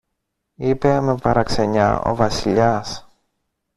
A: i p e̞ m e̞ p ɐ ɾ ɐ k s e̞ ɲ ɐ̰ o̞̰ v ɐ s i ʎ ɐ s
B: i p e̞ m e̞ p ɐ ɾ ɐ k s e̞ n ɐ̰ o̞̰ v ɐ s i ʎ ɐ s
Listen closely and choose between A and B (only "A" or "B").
A